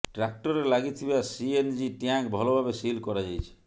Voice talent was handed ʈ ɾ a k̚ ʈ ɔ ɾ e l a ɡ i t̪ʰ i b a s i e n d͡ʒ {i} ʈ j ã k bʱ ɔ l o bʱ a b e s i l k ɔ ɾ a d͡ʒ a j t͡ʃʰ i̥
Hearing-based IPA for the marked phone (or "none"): i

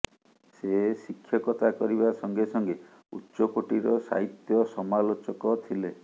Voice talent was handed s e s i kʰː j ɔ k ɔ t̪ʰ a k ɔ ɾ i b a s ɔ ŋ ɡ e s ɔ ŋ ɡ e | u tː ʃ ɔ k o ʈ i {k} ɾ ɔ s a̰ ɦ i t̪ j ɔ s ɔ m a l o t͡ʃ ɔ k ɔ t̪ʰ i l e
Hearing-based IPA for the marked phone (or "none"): none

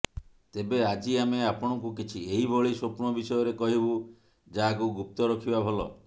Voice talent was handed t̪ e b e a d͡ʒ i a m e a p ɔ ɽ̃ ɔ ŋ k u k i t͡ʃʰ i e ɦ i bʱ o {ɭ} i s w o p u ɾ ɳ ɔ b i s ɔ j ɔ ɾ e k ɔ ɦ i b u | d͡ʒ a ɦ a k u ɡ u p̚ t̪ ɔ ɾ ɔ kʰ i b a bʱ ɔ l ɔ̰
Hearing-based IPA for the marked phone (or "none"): ɭ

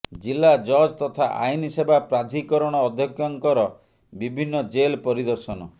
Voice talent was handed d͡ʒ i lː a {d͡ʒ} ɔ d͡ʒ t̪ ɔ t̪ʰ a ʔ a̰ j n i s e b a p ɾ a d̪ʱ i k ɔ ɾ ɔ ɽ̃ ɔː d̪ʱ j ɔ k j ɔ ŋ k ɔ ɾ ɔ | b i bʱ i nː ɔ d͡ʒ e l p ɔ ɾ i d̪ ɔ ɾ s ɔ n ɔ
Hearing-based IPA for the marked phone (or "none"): d͡ʒ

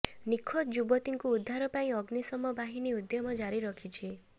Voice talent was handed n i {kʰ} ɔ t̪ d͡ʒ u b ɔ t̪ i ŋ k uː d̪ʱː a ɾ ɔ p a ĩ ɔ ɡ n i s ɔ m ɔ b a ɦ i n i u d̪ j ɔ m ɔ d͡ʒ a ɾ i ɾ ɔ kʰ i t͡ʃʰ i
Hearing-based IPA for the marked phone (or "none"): kʰ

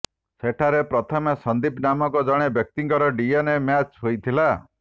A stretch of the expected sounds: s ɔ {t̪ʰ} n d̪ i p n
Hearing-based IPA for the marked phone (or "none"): none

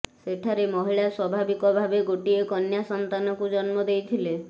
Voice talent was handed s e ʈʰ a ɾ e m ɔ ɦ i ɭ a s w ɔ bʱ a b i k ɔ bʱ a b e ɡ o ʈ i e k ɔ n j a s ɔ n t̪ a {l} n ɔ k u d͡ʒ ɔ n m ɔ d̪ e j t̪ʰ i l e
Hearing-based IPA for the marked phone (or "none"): none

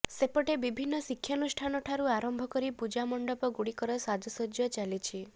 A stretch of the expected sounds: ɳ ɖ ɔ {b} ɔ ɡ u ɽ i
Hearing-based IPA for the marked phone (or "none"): p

